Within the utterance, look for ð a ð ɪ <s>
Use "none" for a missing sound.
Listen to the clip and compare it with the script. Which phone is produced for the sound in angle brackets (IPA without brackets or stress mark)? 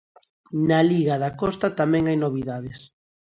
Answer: s